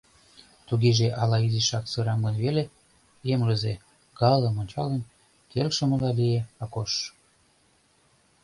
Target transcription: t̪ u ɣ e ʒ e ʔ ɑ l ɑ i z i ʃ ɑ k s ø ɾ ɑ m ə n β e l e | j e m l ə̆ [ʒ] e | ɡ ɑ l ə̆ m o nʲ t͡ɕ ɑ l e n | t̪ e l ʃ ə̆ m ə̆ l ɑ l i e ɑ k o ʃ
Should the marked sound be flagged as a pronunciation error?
yes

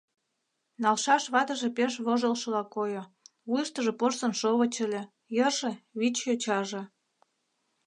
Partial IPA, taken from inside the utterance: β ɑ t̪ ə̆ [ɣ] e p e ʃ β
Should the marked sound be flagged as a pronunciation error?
yes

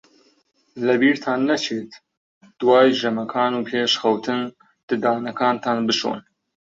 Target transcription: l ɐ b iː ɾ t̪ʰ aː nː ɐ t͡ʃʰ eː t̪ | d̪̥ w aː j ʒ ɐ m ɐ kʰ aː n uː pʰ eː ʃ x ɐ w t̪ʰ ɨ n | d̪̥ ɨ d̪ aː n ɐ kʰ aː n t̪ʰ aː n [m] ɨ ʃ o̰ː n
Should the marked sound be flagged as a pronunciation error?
yes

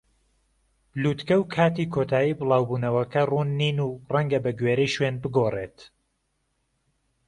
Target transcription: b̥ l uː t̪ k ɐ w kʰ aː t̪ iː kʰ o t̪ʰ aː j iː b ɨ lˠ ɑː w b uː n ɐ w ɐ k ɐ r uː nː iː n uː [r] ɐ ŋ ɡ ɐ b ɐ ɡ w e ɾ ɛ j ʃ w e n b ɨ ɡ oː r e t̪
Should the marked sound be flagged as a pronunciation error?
no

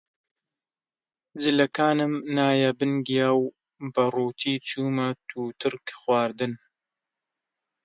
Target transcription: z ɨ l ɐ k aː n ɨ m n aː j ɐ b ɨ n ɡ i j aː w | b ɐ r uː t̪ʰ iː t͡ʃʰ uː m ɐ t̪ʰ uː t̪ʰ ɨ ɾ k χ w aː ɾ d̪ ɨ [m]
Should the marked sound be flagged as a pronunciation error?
yes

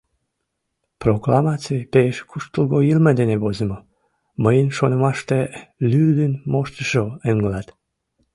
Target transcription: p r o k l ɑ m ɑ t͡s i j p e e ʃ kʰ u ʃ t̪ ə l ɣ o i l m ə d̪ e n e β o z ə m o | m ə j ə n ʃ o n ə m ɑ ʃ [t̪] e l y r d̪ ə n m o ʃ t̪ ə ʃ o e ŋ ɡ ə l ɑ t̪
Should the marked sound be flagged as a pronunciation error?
no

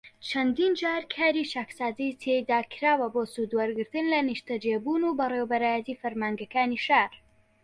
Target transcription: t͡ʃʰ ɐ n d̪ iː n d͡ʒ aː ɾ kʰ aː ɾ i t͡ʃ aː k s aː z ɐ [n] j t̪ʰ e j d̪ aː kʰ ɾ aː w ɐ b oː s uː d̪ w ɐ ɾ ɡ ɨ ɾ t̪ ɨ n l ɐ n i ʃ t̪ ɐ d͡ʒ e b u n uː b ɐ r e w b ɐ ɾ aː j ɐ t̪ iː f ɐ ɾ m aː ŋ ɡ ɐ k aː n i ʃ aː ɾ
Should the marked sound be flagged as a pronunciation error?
yes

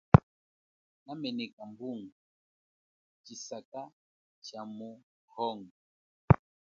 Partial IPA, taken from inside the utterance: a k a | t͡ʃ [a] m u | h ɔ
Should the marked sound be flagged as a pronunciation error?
no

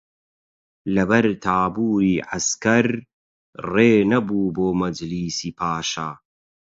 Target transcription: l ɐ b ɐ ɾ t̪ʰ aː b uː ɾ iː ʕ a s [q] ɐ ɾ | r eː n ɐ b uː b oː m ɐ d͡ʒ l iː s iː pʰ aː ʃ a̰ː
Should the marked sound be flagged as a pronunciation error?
yes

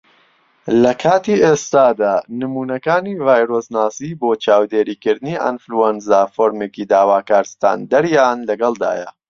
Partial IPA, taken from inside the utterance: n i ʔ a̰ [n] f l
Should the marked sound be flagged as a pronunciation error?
no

